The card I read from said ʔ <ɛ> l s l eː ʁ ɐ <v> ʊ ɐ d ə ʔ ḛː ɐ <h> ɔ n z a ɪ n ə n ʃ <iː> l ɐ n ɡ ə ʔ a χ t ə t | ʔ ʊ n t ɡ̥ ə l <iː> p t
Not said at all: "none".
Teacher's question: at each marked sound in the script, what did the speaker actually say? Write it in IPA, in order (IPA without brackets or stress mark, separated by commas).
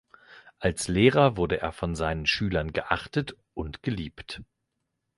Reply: a, v, f, yː, iː